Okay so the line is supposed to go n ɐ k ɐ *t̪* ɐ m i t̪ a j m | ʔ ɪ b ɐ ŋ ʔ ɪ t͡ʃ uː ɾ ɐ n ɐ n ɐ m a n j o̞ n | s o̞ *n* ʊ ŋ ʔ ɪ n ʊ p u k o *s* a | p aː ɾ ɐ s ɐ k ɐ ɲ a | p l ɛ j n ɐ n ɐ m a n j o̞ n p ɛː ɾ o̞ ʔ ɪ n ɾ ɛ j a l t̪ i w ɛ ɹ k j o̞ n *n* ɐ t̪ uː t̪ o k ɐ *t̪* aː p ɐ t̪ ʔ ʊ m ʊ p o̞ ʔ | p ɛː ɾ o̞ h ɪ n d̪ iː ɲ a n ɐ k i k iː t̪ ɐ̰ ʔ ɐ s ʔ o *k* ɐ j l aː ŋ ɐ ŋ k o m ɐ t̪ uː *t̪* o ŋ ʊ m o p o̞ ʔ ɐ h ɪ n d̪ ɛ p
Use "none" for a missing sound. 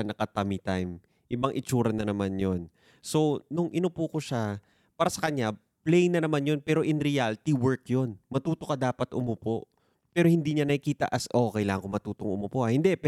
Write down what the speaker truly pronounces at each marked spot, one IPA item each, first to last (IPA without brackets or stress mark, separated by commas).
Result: t̪, n, ʃ, m, d̪, k, t̪